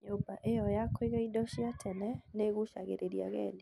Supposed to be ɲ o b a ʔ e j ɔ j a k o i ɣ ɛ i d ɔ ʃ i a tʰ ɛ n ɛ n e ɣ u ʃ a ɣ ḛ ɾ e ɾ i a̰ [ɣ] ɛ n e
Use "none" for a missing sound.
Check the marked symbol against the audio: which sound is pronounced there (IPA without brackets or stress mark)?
ɣ